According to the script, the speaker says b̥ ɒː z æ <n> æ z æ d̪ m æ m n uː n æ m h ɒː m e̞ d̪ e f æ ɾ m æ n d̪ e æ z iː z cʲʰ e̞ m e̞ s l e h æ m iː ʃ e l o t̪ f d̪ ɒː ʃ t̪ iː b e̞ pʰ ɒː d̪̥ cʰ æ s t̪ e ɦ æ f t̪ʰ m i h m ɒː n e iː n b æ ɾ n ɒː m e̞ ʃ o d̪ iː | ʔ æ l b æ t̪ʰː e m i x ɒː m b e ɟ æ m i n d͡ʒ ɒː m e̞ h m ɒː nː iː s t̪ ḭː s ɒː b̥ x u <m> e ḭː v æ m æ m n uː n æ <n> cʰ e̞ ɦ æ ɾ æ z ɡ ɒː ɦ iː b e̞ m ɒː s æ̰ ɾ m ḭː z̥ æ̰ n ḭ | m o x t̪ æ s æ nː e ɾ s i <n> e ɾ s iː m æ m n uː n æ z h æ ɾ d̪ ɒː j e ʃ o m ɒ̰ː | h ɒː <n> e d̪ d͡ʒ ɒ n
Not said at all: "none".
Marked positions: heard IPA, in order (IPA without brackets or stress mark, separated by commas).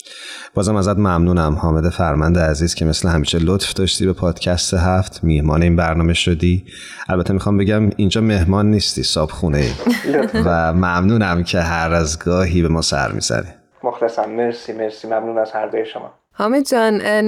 m, n, m, m, m